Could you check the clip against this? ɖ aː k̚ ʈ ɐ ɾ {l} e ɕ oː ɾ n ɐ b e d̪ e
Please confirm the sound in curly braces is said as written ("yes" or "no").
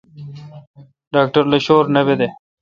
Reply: yes